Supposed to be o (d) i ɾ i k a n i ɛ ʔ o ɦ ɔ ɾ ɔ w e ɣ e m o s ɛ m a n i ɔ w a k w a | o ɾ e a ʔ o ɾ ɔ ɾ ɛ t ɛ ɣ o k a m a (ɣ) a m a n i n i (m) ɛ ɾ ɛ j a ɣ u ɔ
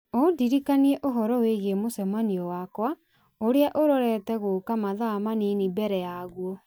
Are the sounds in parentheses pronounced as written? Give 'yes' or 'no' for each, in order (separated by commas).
yes, no, no